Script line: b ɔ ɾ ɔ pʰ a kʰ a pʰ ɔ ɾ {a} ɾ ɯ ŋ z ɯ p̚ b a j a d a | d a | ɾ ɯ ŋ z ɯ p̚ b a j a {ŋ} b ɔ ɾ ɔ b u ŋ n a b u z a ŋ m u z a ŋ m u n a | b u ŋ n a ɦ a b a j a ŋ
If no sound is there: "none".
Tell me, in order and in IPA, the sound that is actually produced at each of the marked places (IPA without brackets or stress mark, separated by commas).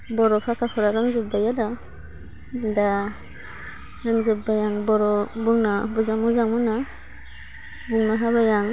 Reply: a, ŋ